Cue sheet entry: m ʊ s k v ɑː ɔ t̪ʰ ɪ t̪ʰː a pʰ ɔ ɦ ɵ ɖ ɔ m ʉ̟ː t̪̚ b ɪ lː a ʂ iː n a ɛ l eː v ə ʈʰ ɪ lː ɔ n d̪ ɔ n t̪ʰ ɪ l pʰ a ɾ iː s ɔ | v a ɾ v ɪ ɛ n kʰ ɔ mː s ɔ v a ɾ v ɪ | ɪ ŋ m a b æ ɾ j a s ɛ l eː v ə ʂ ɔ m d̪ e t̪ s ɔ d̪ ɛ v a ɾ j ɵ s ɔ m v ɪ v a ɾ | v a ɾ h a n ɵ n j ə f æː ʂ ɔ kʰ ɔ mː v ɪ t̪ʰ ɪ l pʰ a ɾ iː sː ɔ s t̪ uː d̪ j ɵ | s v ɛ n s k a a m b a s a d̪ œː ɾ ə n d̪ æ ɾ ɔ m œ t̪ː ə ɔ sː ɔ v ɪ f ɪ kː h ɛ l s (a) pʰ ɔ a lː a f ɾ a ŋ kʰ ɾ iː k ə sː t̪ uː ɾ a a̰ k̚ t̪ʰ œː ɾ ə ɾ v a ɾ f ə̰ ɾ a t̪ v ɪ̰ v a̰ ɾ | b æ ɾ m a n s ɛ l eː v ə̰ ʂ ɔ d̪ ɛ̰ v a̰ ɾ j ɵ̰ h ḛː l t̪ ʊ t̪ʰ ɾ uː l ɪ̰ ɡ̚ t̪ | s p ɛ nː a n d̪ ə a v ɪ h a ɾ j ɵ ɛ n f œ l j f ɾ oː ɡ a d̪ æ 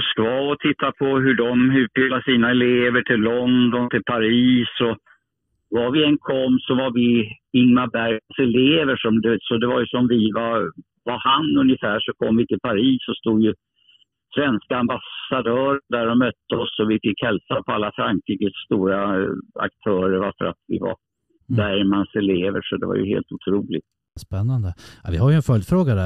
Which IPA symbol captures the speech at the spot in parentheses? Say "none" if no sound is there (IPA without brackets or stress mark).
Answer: a